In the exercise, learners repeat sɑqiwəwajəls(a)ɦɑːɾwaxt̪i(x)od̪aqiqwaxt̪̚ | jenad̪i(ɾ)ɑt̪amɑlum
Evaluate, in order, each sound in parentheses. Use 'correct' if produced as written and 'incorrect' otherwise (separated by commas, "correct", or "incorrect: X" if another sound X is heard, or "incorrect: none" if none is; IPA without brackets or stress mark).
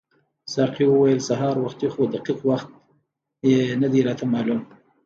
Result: correct, correct, correct